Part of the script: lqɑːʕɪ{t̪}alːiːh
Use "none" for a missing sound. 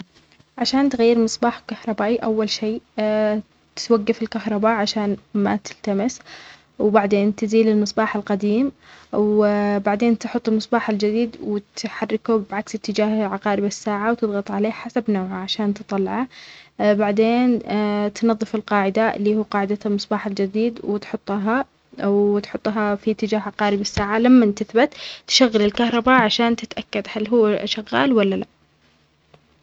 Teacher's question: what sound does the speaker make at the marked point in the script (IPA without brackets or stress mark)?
d̪